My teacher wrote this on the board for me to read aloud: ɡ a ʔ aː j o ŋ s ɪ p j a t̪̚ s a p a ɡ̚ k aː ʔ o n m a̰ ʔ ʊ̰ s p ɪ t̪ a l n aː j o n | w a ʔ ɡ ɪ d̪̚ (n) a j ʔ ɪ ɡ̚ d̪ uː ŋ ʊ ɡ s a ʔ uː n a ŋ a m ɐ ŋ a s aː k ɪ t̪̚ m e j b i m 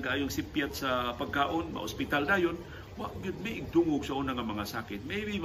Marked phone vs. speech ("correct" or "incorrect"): incorrect